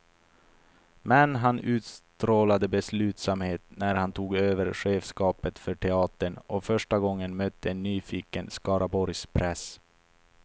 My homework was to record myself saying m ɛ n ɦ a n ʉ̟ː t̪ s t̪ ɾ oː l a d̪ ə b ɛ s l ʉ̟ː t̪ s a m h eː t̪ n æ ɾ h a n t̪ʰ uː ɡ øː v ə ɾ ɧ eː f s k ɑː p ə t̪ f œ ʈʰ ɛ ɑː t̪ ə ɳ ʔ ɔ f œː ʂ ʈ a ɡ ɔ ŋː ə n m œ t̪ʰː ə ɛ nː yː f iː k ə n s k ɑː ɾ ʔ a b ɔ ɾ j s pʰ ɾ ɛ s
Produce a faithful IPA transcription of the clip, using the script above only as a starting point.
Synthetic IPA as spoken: m ɛ n ɦ a n ʉ̟ː t̪ s t̪ ɾ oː l a d̪ ə b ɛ s l ʉ̟ː t̪ s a m h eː t̪ n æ ɾ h a n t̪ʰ uː ɡ øː v ə ɾ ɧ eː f s k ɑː p ə t̪ f œ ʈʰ ɛ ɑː t̪ ə ɳ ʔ ɔ f œ ʂ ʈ a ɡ ɔ ŋː ə n m œ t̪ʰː ə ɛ nː yː f iː k ə n s k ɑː ɾ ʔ a b ɔ ɾ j s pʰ ɾ ɛ s